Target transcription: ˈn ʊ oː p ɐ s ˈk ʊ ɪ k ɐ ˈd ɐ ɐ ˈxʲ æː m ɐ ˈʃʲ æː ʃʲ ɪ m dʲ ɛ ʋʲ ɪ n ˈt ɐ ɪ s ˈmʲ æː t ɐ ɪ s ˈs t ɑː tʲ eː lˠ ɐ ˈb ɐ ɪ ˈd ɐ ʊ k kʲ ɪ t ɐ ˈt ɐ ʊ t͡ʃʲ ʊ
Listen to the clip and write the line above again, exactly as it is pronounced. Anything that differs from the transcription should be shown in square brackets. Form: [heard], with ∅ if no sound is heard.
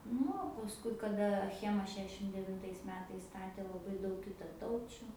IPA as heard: ˈn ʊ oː p ɐ s ˈk ʊ ɪ k ɐ ˈd ɐ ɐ ˈxʲ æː m ɐ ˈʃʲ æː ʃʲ ɪ m dʲ ɛ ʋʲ ɪ n ˈt ɐ ɪ s ˈmʲ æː t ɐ ɪ s ˈs t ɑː tʲ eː lˠ ɐ ˈb ɐ ɪ ˈd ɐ ʊ k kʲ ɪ t ɐ ˈt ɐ ʊ t͡ʃʲ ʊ